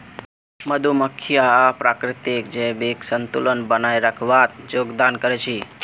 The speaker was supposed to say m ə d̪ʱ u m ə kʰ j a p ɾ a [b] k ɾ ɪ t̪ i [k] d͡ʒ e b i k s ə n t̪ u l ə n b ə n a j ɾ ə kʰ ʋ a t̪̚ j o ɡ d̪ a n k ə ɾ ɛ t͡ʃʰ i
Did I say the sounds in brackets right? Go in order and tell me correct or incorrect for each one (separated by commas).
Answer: incorrect, correct